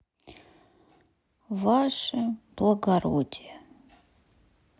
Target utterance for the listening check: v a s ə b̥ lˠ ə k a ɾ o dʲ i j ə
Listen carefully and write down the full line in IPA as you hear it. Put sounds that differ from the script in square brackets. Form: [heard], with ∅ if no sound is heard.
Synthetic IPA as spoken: v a [ʂ] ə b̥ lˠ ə [ɡ] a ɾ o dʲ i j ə